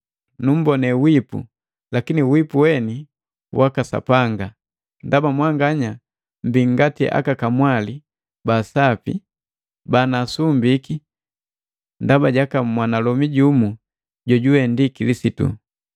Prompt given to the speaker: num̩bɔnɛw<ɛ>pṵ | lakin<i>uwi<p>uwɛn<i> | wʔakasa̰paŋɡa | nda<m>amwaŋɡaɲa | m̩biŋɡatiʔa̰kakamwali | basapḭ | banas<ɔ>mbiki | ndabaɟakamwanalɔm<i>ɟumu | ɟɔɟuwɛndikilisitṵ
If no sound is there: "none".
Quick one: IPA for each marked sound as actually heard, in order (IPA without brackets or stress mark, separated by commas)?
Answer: i, i, p, i, b, u, i